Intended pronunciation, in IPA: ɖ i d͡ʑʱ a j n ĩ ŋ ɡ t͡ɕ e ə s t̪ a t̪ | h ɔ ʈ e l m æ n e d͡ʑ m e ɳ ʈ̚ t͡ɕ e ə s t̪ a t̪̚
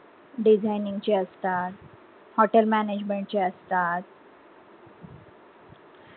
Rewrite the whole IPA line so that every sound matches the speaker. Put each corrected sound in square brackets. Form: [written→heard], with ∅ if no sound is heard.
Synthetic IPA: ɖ i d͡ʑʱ a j n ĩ ŋ ɡ t͡ɕ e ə s t̪ a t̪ | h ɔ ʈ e l m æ n e d͡ʑ m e ɳ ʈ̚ t͡ɕ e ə s t̪ a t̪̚